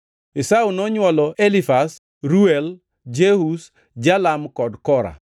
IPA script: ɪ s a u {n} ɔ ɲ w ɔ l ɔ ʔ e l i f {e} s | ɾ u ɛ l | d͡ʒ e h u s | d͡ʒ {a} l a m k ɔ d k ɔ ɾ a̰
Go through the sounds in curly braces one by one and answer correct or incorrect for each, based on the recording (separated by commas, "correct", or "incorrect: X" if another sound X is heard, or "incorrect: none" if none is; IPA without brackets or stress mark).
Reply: correct, incorrect: a, correct